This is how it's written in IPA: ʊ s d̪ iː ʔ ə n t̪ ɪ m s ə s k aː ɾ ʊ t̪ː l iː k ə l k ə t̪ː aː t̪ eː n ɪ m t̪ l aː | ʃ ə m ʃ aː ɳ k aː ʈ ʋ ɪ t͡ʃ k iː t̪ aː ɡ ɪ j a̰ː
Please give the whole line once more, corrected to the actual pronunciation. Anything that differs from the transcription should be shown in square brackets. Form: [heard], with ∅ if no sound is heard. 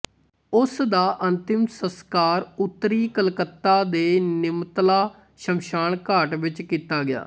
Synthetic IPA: ʊ s d̪ [aː] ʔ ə n t̪ ɪ m s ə s k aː ɾ ʊ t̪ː [ɾ] iː k ə l k ə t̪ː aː [d̪] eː n ɪ m t̪ l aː | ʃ ə m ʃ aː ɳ k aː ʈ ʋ ɪ t͡ʃ k iː t̪ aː ɡ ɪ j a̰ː